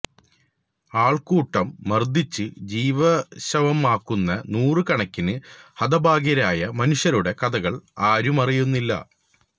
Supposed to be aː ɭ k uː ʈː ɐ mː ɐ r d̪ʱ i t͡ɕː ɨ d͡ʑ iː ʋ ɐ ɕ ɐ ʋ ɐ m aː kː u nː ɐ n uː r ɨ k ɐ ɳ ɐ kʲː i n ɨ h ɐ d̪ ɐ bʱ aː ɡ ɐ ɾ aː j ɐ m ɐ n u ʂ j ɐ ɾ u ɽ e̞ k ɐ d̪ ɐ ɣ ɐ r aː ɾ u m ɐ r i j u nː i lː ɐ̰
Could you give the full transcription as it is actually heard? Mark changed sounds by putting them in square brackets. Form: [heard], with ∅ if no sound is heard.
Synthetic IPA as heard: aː ɭ k uː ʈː ɐ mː ɐ r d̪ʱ i t͡ɕː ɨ d͡ʑ iː ʋ ɐ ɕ ɐ ʋ ɐ m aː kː u nː ɐ n uː r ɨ k ɐ ɳ ɐ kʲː i n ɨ h ɐ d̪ ɐ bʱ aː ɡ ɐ ɾ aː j ɐ m ɐ n u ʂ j ɐ ɾ u ɽ e̞ k ɐ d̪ ɐ ɣ ɐ [ɭ] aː ɾ u m ɐ r i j u nː i lː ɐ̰